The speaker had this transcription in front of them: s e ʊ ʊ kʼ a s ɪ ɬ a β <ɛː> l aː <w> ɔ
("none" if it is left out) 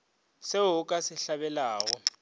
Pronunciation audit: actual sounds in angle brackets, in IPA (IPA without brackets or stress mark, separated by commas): ɛ, ɣ